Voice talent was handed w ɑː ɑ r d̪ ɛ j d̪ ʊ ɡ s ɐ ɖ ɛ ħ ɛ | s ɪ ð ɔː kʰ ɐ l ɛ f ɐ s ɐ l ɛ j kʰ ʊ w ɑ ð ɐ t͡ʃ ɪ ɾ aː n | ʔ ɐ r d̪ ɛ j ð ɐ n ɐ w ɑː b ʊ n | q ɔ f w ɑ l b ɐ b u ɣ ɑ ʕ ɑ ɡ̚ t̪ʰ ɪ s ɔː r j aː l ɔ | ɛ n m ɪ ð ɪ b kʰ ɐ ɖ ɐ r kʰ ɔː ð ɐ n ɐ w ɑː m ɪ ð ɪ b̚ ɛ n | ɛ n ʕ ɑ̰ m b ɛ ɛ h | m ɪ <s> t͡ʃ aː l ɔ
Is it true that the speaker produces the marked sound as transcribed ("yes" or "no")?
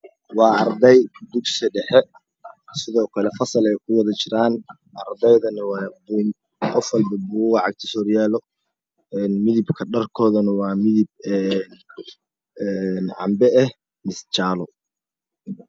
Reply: yes